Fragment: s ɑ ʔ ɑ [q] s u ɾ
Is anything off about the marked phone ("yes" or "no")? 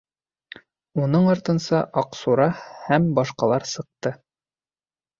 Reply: no